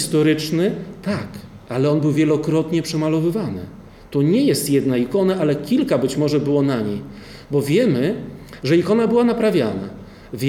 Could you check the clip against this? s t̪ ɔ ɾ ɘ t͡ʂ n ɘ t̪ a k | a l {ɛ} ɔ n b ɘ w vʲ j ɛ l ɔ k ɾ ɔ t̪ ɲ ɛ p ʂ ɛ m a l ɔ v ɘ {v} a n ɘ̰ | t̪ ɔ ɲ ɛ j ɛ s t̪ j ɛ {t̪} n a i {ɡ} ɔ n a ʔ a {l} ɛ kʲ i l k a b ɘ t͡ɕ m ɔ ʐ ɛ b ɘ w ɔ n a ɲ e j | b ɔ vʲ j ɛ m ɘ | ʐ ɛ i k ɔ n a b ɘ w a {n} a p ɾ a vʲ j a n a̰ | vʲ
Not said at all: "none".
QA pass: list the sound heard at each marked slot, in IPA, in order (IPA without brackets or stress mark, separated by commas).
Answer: ɛ, v, d̪, k, l, n